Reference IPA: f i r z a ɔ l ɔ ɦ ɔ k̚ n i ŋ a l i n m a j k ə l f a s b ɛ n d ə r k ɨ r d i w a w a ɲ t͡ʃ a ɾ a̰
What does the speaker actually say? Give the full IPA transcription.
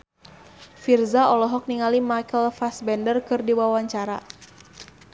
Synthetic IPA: f i r z a ɔ l ɔ ɦ ɔ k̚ n i ŋ a l i m a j k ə l f a s b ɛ n d ə r k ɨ r d i w a w a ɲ t͡ʃ a ɾ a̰